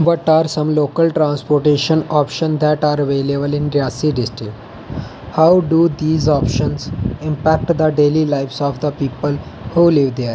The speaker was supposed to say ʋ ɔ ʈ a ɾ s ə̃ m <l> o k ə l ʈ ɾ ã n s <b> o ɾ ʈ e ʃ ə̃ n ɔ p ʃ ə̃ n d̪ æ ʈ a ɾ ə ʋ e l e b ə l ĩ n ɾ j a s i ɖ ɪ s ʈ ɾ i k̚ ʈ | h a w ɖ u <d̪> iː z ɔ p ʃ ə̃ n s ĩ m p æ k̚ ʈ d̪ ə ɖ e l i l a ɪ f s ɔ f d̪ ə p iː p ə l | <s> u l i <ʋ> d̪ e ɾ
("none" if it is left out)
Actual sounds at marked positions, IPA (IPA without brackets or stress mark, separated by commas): l, p, d̪, h, ʋ